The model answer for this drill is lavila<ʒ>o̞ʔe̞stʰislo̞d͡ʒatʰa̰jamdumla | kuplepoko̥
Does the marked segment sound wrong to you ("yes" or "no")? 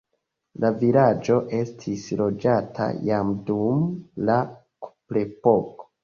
yes